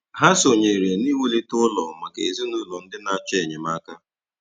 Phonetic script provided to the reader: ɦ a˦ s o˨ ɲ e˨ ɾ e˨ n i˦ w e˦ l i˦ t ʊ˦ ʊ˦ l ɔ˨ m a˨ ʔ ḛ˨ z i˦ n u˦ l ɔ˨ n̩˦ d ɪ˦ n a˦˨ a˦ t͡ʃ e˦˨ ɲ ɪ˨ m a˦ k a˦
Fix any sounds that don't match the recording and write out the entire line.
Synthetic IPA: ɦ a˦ s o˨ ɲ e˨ ɾ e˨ n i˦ w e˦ l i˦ t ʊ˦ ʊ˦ l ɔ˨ m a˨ k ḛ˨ z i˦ n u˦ l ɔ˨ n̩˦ d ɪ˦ n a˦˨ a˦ t͡ʃ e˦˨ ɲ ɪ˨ m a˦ k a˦

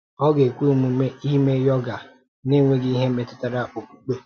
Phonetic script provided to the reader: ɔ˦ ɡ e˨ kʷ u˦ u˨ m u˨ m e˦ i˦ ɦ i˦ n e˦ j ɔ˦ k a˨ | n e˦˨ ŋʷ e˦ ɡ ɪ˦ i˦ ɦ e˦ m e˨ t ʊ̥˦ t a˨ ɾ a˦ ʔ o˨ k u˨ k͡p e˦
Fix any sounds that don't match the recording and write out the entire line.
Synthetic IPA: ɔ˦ ɡ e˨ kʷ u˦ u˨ m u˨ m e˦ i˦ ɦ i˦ m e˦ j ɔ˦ ɡ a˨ | n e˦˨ ŋʷ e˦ ɡ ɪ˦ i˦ ɦ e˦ m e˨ t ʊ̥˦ t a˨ ɾ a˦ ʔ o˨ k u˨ k͡p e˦

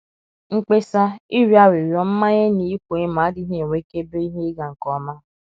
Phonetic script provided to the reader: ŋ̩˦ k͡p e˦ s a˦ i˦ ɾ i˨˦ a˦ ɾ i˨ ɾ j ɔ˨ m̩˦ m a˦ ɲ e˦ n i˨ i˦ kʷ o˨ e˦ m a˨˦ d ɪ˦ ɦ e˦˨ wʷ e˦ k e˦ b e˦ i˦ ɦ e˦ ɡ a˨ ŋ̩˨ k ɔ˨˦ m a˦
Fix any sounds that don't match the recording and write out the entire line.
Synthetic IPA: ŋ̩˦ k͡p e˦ s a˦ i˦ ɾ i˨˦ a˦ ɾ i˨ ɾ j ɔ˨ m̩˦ m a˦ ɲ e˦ n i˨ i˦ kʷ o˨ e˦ m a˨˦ d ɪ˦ ɦ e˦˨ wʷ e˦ k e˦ b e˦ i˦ ɦ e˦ ɡ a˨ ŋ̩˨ k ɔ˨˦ m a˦

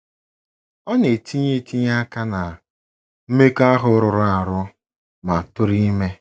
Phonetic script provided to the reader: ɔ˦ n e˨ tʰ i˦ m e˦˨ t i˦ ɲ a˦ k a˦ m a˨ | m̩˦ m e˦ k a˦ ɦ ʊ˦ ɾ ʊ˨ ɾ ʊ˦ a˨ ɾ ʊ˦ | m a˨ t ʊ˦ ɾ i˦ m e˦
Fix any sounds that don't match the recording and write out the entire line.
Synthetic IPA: ɔ˦ n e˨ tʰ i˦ ɲ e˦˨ t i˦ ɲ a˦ k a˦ n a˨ | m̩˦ m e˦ k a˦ ɦ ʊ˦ ɾ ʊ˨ ɾ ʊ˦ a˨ ɾ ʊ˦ | m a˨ t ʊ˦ ɾ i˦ m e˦

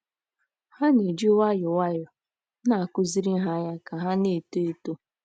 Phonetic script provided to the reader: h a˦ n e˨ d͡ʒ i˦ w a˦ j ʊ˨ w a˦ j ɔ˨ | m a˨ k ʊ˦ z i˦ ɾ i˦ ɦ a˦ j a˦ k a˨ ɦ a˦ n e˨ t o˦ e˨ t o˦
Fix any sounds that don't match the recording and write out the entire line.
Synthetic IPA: h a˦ n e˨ d͡ʒ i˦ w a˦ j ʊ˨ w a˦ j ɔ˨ | n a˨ k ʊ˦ z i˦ ɾ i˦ ɦ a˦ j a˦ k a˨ ɦ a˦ n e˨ t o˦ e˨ t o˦

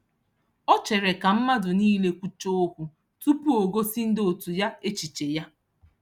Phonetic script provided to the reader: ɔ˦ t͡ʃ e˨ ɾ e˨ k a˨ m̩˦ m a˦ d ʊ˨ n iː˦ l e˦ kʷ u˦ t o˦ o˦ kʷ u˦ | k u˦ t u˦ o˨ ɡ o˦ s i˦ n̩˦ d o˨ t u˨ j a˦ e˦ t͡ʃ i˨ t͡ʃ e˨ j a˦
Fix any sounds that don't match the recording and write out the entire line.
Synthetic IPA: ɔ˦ t͡ʃ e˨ ɾ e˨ k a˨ m̩˦ m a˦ d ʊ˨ n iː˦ l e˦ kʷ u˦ t͡ʃ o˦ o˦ kʷ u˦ | t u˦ p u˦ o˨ ɡ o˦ s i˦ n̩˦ d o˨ t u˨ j a˦ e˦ t͡ʃ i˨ t͡ʃ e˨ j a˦

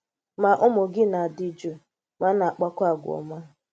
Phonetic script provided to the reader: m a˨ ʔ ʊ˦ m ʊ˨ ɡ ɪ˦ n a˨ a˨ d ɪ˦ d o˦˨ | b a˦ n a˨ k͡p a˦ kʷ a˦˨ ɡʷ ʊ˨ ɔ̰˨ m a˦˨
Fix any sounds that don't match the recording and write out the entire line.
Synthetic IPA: m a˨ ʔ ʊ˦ m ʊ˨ ɡ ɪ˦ n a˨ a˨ d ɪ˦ d͡ʒ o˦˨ | m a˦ n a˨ k͡p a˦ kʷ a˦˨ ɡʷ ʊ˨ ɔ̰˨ m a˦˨

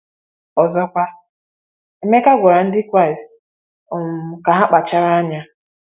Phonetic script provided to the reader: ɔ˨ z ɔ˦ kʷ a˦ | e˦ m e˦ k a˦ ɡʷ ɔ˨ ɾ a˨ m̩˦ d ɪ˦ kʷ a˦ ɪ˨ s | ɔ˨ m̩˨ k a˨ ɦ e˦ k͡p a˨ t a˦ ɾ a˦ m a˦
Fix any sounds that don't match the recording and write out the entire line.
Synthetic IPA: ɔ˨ z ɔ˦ kʷ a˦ | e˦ m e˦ k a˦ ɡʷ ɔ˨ ɾ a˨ n̩˦ d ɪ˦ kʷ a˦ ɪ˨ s | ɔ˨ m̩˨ k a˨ ɦ a˦ k͡p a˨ t͡ʃ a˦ ɾ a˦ ɲ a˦

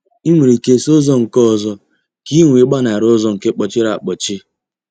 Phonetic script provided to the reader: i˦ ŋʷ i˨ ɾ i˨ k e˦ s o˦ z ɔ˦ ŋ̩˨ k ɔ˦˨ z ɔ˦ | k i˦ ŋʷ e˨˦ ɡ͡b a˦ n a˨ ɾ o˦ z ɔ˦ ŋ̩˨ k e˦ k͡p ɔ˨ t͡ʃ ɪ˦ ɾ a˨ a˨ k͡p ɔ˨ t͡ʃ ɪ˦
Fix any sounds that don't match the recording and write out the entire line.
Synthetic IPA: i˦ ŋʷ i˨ ɾ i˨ k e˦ s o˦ z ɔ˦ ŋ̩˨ k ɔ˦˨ z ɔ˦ | k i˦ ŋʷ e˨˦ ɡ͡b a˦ n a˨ ɾ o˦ z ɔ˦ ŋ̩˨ k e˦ k͡p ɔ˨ t͡ʃ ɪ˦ ɾ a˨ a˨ k͡p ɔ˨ t͡ʃ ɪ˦

